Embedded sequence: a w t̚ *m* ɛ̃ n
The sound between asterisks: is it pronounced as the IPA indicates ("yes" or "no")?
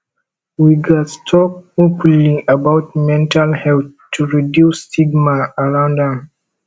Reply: yes